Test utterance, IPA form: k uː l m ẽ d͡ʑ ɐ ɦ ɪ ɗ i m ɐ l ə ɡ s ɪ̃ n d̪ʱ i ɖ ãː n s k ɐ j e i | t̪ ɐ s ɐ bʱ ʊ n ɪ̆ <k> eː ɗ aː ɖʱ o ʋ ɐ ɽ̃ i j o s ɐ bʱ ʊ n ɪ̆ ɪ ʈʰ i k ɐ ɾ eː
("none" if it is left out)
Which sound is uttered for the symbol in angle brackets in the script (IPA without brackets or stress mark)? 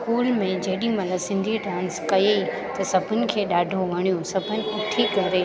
kʰ